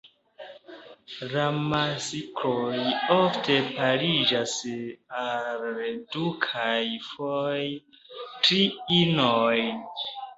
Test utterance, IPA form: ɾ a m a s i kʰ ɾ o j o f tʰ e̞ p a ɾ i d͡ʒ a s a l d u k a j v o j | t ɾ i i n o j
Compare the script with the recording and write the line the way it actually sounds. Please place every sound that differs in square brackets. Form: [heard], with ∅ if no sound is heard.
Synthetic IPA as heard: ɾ a m a s i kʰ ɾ o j o f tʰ e̞ p a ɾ i d͡ʒ a s a l d u [kʰ] a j [f] o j | t ɾ i i n o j